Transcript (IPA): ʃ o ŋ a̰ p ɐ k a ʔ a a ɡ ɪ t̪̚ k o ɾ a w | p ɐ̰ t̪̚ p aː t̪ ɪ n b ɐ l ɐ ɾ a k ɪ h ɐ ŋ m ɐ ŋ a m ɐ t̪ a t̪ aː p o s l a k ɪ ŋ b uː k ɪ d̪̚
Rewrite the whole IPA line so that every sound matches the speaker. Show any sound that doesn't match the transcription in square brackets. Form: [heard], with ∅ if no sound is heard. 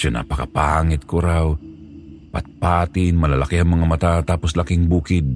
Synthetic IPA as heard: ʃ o [n] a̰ p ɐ k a [p] a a [ŋ] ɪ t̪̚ k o ɾ a w | p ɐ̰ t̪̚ p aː t̪ ɪ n [m] ɐ l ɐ [l] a k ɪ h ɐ ŋ m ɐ ŋ a m ɐ t̪ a t̪ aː p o s l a k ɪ ŋ b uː k ɪ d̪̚